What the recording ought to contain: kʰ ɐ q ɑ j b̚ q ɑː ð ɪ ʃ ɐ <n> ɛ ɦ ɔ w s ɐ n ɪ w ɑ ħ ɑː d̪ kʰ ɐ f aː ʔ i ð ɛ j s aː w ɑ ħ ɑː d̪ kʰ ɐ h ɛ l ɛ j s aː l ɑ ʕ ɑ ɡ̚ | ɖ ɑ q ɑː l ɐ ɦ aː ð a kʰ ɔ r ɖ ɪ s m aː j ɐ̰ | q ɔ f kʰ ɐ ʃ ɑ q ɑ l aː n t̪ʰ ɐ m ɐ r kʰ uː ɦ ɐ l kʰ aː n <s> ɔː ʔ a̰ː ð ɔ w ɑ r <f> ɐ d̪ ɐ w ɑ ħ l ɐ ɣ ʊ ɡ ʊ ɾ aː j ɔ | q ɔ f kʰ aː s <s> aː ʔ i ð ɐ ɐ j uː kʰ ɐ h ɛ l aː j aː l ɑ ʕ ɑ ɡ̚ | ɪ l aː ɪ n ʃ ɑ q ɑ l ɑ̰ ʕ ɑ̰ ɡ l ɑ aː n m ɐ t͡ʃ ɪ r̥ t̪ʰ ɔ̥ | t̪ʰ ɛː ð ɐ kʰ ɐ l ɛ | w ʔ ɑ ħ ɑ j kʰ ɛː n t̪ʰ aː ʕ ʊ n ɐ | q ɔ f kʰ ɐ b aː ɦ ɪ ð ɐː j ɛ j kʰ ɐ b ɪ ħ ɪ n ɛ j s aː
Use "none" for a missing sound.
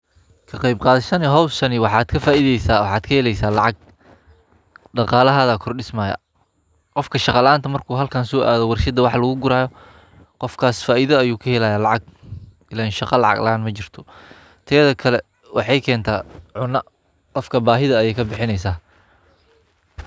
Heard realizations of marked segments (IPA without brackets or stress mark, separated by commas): n, s, ʃ, f